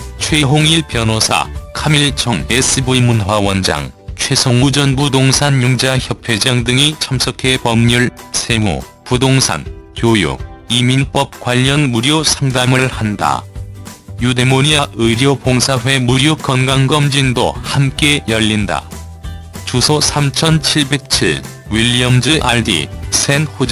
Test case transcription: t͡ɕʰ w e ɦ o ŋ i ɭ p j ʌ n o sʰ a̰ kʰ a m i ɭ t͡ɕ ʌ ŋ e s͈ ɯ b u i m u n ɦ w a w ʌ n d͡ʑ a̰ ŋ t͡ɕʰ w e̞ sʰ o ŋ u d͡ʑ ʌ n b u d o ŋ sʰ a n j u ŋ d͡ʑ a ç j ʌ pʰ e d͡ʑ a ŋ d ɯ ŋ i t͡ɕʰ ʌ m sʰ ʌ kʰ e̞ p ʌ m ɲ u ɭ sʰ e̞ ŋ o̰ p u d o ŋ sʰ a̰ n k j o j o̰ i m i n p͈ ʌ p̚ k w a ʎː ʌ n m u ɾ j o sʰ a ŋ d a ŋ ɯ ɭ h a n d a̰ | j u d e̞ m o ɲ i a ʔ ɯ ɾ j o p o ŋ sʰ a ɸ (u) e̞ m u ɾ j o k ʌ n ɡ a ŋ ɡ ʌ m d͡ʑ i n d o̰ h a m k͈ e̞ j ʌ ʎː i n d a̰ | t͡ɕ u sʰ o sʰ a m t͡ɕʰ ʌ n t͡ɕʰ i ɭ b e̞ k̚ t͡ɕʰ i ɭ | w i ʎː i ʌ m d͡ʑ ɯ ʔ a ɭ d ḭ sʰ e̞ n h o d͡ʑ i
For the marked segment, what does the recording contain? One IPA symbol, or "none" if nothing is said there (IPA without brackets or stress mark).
w